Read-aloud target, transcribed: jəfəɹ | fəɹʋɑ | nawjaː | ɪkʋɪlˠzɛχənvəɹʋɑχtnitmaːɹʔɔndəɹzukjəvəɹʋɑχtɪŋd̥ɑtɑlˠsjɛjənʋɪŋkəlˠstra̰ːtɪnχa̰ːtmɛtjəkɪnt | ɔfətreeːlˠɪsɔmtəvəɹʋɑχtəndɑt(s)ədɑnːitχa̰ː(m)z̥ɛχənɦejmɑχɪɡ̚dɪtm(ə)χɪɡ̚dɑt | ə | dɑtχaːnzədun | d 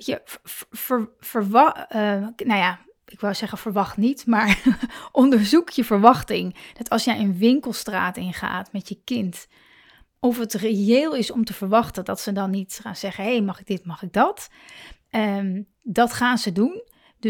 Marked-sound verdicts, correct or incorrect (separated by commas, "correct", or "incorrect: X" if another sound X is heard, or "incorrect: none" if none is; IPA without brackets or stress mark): correct, incorrect: n, incorrect: ɑ